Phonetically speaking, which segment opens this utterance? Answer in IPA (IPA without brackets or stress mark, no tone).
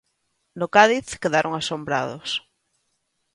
n